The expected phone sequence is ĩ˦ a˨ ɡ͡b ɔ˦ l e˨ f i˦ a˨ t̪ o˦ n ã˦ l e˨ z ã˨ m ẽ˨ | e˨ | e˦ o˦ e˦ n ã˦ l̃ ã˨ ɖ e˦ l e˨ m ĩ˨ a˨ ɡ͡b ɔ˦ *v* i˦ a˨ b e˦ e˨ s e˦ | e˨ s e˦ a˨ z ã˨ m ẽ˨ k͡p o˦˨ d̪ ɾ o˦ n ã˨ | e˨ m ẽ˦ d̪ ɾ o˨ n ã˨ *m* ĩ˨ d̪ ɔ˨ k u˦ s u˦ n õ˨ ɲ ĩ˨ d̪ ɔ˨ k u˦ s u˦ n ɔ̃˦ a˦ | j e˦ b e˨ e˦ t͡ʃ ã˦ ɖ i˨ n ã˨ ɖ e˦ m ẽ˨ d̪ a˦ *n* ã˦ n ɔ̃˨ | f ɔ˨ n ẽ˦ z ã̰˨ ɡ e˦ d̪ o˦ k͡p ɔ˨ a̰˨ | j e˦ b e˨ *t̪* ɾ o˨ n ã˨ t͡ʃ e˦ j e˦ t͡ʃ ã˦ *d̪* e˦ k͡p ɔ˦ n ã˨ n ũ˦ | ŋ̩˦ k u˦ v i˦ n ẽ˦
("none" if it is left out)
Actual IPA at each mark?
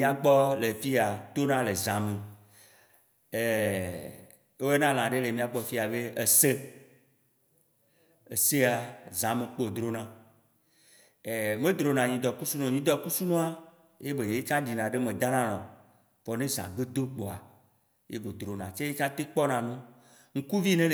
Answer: f, ɲ, n, d̪, t̪

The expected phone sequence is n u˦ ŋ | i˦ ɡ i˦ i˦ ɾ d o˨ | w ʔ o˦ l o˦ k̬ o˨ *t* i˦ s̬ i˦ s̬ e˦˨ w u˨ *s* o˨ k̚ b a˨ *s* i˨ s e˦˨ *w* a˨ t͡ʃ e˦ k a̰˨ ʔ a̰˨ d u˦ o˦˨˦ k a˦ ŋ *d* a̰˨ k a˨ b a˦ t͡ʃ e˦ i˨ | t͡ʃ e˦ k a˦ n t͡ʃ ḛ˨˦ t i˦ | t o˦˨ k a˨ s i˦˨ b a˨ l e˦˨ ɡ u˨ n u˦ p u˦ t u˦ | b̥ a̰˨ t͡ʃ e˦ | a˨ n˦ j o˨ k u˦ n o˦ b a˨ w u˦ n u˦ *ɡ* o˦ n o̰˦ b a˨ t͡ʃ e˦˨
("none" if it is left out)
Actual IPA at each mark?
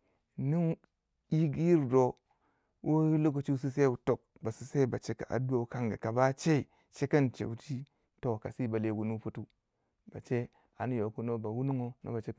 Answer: t͡ʃ, t, s, b, ɡ, ŋ

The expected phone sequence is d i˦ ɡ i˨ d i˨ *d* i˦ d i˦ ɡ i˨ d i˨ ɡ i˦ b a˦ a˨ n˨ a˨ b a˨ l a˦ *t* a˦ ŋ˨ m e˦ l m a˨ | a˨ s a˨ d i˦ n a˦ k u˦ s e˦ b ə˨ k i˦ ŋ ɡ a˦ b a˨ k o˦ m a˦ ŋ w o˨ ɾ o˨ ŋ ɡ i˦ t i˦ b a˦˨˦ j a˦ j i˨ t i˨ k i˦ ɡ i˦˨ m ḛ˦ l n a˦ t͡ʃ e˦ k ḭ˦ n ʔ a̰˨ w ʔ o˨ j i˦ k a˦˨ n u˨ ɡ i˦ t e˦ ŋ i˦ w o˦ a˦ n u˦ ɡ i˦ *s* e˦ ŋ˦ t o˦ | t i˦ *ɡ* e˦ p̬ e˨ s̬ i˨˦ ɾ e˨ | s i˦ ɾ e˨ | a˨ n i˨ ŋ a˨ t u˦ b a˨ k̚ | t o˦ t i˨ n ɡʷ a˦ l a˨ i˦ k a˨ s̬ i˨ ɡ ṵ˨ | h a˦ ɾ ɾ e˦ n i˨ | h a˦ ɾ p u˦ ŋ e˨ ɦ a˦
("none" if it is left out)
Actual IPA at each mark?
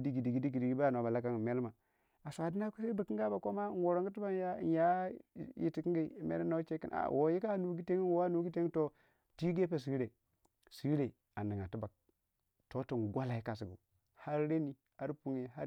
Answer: ɡ, k, t, ɡ

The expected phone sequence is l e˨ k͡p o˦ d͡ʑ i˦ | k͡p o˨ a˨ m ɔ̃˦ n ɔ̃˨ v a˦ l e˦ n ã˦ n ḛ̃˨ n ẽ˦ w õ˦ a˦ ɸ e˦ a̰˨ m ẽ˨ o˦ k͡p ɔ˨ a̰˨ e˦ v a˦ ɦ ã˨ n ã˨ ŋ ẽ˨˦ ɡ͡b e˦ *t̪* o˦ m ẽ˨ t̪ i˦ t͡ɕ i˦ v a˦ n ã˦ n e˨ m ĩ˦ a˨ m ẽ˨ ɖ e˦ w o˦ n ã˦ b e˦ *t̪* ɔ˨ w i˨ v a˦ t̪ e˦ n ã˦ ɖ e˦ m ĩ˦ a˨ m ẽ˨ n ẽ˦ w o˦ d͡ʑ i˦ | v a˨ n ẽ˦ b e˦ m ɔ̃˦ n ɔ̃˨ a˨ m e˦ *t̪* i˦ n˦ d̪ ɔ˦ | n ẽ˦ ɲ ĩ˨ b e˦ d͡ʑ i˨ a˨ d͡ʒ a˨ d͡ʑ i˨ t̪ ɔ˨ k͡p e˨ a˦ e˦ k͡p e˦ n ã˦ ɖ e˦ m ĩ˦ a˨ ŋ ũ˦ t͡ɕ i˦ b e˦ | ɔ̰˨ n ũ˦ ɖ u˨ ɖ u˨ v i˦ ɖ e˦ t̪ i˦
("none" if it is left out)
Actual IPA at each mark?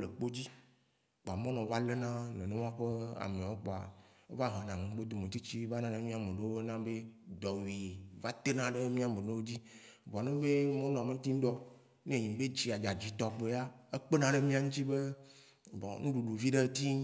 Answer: d̪, d̪, t̪

